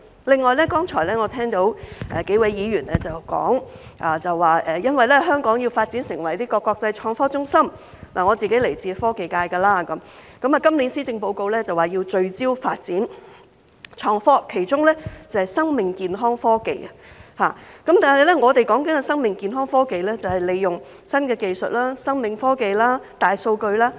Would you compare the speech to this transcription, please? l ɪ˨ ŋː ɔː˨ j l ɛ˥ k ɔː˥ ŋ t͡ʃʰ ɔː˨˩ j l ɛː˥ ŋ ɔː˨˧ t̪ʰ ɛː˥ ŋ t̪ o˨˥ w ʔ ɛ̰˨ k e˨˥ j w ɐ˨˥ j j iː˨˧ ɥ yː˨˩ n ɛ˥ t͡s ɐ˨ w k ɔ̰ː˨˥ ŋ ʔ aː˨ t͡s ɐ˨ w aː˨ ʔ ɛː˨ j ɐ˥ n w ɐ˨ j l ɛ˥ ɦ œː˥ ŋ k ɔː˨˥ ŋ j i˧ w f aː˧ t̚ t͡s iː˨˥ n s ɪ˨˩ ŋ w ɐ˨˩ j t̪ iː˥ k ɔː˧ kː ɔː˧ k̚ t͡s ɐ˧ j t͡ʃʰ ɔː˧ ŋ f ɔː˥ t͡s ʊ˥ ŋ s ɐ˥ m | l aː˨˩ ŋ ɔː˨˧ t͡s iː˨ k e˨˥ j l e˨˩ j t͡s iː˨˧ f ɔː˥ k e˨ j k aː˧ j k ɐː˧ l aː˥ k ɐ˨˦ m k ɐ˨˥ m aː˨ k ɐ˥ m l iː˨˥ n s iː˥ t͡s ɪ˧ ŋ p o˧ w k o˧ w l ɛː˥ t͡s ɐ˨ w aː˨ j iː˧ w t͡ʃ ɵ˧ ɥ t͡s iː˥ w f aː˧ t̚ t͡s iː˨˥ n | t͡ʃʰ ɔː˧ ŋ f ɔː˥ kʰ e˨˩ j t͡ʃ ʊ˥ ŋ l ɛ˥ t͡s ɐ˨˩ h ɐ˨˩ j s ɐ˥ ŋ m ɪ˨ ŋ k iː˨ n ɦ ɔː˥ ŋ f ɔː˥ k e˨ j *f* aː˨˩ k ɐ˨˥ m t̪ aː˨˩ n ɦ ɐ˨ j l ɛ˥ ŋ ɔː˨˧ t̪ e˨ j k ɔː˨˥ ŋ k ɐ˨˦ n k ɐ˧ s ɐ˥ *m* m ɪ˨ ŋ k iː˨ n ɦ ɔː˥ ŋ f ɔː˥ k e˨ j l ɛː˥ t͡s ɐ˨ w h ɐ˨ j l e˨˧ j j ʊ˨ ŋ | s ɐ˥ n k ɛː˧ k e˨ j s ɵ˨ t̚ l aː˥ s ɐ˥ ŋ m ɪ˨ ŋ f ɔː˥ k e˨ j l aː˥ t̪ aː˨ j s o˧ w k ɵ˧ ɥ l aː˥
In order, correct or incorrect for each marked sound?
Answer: incorrect: h, incorrect: ŋ

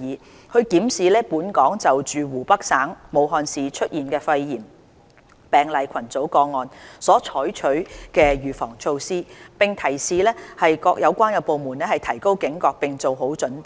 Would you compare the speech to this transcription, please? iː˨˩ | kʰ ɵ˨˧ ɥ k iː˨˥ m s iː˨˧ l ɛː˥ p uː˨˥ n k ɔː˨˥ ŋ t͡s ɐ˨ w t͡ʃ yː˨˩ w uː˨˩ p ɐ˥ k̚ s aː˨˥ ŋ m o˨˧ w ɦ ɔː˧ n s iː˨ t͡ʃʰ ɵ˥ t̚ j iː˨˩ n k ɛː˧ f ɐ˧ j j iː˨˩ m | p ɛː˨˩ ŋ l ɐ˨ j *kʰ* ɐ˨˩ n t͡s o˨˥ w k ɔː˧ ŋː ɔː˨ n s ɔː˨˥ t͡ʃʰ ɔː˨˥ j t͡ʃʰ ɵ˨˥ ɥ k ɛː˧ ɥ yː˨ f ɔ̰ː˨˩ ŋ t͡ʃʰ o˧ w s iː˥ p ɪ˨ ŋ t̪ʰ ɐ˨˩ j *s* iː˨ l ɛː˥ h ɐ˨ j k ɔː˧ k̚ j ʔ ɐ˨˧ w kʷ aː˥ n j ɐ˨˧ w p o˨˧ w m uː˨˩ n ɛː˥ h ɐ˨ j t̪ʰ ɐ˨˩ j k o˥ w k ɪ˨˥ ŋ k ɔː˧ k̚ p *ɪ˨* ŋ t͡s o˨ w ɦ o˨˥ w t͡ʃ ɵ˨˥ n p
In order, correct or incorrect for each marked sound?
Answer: correct, correct, correct

